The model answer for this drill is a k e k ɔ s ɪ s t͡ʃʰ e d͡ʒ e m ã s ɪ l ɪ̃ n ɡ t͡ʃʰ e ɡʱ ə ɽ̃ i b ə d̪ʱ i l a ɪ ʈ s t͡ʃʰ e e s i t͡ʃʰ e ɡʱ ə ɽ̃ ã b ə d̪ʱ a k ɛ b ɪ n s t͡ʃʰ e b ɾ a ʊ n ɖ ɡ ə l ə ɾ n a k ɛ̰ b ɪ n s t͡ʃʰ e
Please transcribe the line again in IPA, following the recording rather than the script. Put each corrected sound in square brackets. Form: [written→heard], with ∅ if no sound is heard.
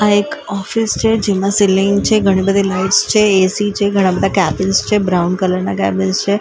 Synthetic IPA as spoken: a [k→∅] e k ɔ [s→f] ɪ s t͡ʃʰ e d͡ʒ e m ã s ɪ l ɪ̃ [n→ŋ] ɡ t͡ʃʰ e ɡʱ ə ɽ̃ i b ə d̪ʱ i l a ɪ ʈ s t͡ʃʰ e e s i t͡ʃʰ e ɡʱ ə ɽ̃ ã b ə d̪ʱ a k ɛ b ɪ n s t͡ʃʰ e b ɾ a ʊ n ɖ [ɡ→k] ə l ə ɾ n a k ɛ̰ b ɪ n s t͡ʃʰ e